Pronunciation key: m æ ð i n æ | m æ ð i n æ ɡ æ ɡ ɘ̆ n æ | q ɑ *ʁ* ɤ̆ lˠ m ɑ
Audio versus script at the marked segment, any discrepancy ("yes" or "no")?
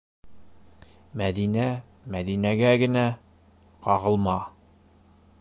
no